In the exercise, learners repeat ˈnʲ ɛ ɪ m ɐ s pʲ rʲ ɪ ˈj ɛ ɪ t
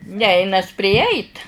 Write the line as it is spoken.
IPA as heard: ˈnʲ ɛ ɪ n ɐ s pʲ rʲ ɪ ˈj ɛ ɪ t